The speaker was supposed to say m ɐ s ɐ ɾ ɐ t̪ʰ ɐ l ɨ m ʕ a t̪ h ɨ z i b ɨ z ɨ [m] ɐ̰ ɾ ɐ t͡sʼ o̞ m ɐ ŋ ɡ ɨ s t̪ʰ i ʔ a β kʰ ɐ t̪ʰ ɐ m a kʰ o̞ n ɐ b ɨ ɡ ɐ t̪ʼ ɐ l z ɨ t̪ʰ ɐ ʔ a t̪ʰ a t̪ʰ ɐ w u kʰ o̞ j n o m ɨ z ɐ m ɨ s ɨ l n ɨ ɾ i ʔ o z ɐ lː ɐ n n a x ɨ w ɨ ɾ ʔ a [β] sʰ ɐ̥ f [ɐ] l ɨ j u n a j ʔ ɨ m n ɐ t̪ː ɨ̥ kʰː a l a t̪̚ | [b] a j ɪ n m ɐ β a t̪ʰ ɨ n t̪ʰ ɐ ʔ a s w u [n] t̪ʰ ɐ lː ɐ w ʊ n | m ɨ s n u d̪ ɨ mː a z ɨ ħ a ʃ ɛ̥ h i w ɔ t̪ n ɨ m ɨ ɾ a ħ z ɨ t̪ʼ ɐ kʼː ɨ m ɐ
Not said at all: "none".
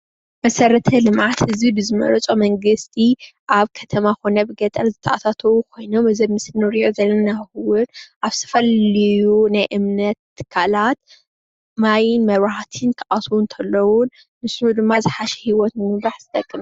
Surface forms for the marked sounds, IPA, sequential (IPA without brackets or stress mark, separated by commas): m, β, ɐ, m, n